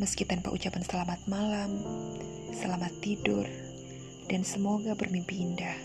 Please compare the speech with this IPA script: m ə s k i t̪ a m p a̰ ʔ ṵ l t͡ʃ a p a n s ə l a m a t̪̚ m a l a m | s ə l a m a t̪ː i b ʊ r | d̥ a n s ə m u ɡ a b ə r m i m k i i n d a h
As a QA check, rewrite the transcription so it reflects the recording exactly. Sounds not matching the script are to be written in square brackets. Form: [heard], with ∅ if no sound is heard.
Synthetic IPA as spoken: m ə s k i t̪ a [n] p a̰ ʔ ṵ [∅] t͡ʃ a p a n s ə l a m a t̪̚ m a l a m | s ə l a m a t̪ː i [d] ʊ r | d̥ a n s ə m [o] ɡ a b ə r m i m [p] i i n d a h